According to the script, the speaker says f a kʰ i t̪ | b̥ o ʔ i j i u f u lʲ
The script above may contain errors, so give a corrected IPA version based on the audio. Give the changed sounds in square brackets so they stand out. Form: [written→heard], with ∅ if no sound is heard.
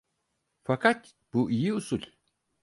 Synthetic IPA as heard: f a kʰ [i→a] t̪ | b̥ [o→u] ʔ i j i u [f→s] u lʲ